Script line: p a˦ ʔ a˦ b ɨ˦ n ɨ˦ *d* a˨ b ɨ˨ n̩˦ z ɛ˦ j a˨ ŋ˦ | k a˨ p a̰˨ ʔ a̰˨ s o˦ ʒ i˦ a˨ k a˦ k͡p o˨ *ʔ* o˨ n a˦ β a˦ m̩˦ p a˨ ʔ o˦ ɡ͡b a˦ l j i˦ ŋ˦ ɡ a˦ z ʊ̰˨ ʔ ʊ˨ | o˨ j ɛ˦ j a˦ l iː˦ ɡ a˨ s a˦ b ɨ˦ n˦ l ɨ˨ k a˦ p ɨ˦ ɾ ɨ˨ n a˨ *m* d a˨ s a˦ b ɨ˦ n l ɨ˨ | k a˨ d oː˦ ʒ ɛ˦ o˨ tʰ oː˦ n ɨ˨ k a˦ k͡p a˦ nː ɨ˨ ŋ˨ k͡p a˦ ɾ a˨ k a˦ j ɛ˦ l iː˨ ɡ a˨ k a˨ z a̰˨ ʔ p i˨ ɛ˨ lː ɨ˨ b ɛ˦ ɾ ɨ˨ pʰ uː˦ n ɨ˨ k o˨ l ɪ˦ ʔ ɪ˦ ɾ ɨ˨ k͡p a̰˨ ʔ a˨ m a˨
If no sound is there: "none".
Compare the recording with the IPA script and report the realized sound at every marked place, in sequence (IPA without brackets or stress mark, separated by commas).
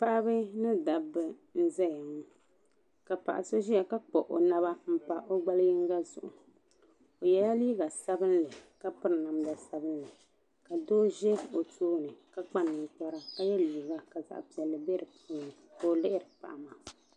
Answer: d, ʔ, m